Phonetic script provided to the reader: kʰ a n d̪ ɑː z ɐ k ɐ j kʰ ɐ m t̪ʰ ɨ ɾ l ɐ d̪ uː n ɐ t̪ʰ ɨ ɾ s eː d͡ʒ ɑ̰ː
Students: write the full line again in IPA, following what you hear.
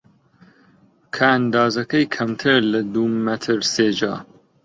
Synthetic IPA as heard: kʰ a n d̪ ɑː z ɐ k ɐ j kʰ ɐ m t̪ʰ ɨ ɾ l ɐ d̪ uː m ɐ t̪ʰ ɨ ɾ s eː d͡ʒ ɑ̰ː